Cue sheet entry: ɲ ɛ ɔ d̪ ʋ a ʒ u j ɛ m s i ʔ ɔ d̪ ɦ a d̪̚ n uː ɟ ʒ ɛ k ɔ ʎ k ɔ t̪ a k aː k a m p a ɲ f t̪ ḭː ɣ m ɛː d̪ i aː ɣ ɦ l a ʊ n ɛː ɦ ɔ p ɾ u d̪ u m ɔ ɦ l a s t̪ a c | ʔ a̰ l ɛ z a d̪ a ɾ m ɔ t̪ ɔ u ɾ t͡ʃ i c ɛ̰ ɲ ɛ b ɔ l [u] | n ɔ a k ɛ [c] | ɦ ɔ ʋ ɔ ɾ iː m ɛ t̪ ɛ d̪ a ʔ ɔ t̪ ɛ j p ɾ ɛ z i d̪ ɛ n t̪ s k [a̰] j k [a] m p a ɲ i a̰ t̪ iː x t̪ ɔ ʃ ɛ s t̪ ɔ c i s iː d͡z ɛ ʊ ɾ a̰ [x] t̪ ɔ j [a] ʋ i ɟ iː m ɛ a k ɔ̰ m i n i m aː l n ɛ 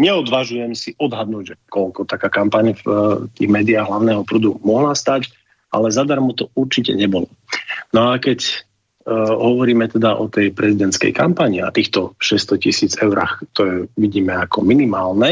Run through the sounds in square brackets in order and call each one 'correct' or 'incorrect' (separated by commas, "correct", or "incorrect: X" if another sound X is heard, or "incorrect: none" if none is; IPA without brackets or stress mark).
incorrect: ɔ, correct, incorrect: ɛ̰, correct, correct, incorrect: ɛ